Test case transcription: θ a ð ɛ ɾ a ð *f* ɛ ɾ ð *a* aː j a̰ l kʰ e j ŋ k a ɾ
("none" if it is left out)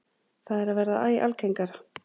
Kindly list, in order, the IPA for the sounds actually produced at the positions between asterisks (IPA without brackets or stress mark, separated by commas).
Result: v, a